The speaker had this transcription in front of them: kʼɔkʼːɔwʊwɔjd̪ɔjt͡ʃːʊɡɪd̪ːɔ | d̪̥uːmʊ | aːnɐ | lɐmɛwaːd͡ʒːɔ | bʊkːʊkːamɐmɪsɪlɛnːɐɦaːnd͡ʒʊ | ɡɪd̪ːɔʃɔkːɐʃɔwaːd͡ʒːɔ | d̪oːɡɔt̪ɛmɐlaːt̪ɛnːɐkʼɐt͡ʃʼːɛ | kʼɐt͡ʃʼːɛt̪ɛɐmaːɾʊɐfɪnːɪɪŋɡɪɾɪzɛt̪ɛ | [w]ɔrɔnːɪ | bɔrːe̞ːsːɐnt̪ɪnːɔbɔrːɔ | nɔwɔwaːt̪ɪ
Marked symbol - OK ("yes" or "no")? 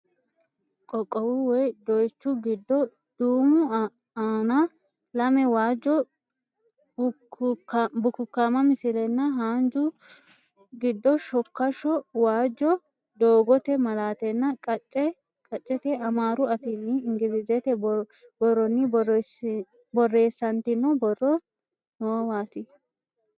no